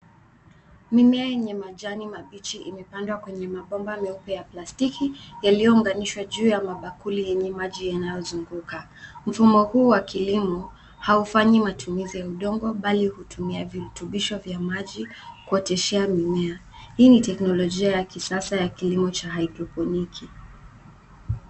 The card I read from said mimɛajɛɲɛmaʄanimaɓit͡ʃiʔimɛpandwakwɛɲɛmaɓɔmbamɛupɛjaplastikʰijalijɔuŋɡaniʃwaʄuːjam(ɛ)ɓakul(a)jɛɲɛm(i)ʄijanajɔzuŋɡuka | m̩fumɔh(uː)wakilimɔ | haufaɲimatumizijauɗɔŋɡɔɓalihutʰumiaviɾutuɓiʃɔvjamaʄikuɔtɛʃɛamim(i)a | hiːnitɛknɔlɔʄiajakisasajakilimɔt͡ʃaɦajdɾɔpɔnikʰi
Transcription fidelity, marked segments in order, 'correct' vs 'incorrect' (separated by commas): incorrect, incorrect, incorrect, correct, incorrect